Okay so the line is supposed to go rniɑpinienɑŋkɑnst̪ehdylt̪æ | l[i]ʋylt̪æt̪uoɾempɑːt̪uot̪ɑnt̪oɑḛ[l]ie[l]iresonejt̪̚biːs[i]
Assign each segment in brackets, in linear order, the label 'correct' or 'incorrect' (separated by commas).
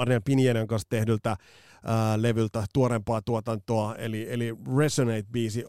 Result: incorrect, correct, correct, correct